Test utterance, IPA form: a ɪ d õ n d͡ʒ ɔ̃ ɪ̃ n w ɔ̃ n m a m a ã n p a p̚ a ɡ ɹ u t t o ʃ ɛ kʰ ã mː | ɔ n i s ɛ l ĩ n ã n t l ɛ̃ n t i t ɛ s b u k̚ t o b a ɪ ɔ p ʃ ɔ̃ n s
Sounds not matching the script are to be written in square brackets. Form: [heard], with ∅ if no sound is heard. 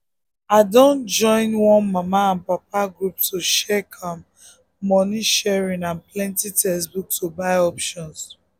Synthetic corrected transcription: a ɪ d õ n d͡ʒ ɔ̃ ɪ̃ n w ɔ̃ n m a m a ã n p a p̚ a ɡ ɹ u [p] t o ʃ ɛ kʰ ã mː | ɔ n i [ʃ] ɛ [ɹ] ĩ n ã n [p] l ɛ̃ n t i t ɛ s b u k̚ t o b a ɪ ɔ p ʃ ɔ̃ n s